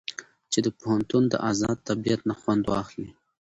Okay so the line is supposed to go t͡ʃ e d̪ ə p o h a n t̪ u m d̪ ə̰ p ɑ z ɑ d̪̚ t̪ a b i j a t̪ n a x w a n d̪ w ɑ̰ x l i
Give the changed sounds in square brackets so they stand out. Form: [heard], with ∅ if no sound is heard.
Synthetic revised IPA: t͡ʃ e d̪ ə p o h a n t̪ u [n] d̪ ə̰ [ʔ] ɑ z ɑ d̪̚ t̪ a b i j a t̪ n a x w a n d̪ w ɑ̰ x l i